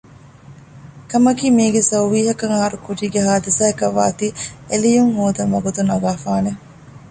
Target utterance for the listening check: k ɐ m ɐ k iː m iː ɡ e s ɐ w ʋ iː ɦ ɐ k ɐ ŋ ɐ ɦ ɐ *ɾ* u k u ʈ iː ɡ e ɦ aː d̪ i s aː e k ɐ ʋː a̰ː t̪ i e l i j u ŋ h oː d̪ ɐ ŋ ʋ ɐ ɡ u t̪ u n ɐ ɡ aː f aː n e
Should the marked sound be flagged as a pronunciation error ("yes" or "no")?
no